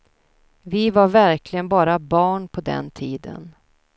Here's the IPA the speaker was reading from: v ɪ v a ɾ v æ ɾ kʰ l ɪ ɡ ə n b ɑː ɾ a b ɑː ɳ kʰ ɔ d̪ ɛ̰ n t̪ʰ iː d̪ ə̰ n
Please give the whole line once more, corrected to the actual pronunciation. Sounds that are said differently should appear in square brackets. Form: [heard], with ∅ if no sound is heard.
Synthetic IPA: v ɪ v a ɾ v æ ɾ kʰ l ɪ ɡ ə n b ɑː ɾ a b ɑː ɳ [pʰ] ɔ d̪ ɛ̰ n t̪ʰ iː d̪ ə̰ n